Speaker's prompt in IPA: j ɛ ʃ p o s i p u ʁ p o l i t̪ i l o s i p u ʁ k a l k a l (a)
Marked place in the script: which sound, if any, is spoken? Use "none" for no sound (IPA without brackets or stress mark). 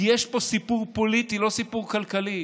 i